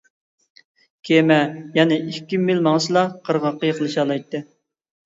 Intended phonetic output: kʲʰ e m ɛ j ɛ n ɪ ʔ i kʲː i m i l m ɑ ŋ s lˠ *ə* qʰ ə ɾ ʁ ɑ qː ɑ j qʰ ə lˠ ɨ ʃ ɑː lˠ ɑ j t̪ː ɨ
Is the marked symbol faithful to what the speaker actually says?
no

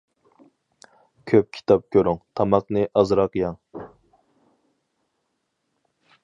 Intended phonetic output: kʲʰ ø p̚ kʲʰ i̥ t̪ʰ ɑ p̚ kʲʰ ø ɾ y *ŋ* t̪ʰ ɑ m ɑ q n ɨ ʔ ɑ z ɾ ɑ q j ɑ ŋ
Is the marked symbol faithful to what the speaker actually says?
yes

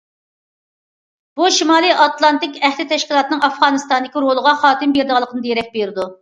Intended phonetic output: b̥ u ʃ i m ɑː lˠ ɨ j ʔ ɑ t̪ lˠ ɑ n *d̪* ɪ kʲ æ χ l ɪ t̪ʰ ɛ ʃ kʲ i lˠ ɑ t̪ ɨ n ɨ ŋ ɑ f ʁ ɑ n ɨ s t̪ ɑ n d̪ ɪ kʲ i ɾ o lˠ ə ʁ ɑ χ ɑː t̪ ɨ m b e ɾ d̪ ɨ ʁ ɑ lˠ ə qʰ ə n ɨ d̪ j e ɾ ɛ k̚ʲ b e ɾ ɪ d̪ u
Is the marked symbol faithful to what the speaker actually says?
no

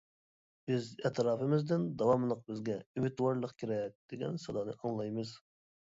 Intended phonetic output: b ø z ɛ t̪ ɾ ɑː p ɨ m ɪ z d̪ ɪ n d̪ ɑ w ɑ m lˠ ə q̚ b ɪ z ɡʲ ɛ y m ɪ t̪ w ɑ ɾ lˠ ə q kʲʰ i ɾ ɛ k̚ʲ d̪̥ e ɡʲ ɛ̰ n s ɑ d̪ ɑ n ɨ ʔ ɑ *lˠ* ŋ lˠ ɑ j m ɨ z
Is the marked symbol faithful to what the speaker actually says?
no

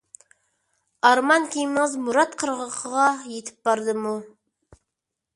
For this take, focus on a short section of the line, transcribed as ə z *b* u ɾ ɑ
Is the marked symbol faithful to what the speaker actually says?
no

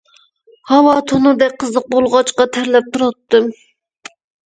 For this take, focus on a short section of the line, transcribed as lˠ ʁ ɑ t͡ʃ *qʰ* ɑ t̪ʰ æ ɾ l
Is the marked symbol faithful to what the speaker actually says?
no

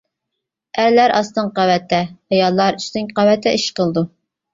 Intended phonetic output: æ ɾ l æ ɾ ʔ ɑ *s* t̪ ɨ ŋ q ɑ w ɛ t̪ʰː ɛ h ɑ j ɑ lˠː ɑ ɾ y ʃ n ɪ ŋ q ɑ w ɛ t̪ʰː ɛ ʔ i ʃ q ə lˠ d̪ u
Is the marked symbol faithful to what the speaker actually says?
yes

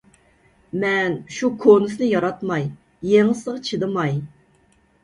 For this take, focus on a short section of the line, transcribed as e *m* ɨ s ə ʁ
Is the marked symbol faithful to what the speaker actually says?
no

